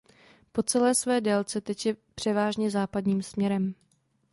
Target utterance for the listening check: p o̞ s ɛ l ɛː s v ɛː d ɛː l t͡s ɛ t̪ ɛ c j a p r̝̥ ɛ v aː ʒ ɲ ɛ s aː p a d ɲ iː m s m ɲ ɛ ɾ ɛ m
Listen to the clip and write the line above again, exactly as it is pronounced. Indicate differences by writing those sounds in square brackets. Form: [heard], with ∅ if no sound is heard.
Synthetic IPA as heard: p o̞ [t͡s] ɛ l ɛː s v ɛː d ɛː l t͡s ɛ t̪ ɛ c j [ɛ] p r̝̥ ɛ v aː ʒ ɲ ɛ [z] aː p a d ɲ iː m s m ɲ ɛ ɾ ɛ m